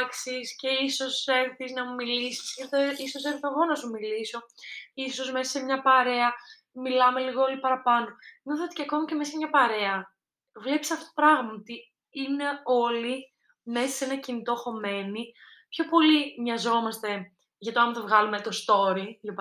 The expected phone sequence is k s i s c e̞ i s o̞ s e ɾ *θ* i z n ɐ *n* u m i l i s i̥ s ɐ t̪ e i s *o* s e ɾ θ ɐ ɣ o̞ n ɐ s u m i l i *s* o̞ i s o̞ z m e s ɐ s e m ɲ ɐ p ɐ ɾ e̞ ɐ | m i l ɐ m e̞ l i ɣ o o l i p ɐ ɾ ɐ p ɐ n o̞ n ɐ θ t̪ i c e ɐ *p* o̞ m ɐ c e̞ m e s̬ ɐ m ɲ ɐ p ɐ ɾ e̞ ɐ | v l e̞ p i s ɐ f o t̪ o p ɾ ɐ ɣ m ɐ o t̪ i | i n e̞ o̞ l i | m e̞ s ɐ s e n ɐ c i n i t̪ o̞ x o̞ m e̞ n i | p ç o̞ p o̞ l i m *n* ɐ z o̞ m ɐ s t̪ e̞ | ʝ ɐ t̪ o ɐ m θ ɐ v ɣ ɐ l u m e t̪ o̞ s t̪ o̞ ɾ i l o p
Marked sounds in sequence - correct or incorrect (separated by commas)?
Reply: correct, incorrect, correct, correct, incorrect, incorrect